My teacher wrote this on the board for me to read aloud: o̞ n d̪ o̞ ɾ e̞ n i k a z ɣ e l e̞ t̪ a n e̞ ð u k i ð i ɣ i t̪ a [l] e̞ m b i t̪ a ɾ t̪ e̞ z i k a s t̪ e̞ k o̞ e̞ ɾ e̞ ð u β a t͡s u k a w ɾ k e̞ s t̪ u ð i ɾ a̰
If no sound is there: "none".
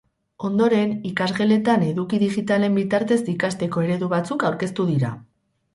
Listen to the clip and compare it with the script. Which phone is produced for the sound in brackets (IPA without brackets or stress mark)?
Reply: l